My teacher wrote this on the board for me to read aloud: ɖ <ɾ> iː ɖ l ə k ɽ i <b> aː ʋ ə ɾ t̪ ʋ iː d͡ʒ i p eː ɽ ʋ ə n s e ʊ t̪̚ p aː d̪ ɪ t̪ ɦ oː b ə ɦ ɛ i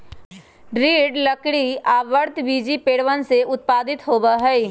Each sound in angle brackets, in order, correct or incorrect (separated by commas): correct, incorrect